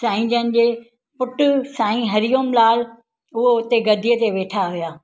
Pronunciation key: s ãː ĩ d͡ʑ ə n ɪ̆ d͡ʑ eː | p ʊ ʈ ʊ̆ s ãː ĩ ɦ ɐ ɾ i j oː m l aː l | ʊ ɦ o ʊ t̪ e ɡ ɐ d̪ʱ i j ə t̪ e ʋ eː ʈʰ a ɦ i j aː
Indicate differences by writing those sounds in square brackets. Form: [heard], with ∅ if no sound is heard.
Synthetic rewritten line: s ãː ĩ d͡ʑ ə n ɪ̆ d͡ʑ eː | p ʊ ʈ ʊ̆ s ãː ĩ ɦ ɐ ɾ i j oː m l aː l | ʊ ɦ o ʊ t̪ e ɡ ɐ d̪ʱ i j ə t̪ e ʋ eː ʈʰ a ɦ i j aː